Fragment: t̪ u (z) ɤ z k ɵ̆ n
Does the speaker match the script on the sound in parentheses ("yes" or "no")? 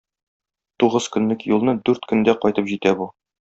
no